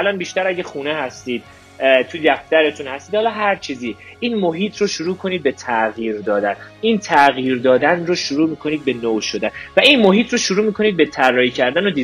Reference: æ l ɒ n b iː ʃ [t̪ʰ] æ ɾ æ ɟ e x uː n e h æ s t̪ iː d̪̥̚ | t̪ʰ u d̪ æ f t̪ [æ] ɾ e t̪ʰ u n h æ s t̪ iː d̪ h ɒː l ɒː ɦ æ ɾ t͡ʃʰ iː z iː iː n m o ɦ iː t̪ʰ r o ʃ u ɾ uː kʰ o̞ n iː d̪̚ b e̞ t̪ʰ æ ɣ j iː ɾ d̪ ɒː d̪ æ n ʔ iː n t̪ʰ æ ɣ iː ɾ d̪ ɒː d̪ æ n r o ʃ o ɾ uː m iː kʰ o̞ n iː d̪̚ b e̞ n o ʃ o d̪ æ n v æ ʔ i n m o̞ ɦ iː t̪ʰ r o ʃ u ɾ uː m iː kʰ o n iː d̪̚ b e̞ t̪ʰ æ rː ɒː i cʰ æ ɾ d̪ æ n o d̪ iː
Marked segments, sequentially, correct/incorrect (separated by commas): incorrect, correct